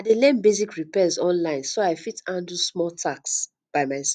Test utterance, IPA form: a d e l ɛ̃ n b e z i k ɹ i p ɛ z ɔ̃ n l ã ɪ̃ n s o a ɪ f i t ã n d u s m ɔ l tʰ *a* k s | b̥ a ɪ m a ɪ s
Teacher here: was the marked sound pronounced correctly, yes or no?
yes